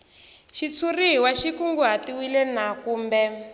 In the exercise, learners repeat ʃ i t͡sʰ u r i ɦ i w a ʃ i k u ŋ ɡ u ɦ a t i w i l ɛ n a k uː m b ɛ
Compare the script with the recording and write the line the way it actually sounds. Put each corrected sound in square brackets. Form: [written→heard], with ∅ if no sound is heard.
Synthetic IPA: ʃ i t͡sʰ u r i ɦ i w a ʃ i k u ŋ ɡ u ɦ a t i w i l ɛ n a k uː m b ɛ

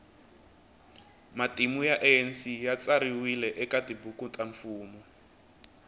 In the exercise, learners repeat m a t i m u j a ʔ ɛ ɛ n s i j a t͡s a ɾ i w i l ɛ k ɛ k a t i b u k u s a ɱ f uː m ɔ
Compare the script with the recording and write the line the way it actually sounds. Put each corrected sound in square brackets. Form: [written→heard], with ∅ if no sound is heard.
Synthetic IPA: m a t i m u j a ʔ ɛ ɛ n s i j a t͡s a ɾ i w i l ɛ [k→ʔ] ɛ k a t i b u k u [s→t] a ɱ f uː m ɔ

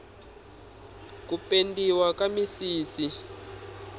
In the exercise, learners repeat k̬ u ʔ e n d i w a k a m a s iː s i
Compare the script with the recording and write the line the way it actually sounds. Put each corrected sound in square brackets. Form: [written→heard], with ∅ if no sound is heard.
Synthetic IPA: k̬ u [ʔ→p] e n d i w a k a m [a→i] s iː s i

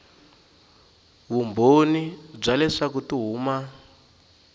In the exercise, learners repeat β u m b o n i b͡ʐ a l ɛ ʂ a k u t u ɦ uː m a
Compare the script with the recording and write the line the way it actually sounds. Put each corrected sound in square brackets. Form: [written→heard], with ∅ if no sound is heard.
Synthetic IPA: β u m b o n i b͡ʐ a l ɛ ʂ a k u t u ɦ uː m a

